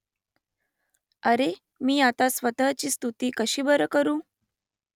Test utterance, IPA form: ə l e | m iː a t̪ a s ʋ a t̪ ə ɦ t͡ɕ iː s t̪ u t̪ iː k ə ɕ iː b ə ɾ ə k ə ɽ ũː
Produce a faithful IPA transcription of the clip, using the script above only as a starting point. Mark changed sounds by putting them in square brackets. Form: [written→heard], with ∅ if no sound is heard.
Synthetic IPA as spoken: ə [l→ɾ] e | m iː a t̪ a s ʋ [a→ə] t̪ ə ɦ t͡ɕ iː s t̪ u t̪ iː k ə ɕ iː b ə ɾ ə k ə [ɽ→ɾ] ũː